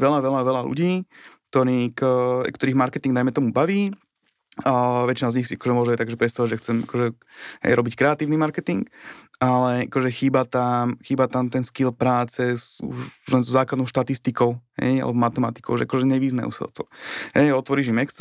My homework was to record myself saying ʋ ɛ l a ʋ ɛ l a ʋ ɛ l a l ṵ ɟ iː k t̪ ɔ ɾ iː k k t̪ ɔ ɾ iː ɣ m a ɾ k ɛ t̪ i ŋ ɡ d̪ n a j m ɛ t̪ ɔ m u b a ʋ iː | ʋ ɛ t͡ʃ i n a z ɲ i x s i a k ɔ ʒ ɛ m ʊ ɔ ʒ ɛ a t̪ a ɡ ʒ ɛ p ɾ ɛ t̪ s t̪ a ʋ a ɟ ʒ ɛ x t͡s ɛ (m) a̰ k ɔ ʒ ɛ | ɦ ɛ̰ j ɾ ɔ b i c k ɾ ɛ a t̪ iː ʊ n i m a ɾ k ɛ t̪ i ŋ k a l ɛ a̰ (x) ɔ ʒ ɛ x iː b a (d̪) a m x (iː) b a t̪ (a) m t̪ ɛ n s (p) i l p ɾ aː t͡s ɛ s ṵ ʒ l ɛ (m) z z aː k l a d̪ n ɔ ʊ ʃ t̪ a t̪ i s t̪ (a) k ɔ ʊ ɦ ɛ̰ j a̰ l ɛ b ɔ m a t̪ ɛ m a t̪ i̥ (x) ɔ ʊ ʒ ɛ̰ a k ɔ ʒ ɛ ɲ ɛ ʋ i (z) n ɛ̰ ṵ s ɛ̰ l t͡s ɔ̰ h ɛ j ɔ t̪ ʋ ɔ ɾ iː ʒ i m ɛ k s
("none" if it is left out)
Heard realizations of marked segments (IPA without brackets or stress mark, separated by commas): m, k, t̪, iː, a, k, n, i, k, z